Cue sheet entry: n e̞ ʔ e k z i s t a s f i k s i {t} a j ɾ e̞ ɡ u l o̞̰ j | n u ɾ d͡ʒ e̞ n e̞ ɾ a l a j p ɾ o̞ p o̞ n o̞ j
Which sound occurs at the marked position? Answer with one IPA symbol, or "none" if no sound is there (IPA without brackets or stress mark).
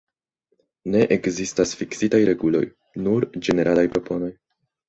t